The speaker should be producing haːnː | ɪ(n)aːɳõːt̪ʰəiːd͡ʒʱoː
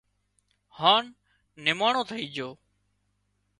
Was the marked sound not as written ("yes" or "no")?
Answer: yes